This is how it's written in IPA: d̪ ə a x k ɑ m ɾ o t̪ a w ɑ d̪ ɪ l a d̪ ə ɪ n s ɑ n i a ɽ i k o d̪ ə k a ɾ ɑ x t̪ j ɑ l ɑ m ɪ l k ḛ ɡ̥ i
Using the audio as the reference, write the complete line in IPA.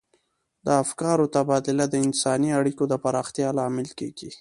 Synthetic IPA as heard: d̪ ə a f k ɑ ɾ o t̪ a b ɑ d̪ ɪ l a d̪ ə ɪ n s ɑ n i a ɽ i k o d̪ ə p a ɾ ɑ x t̪ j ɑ l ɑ m ɪ l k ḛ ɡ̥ i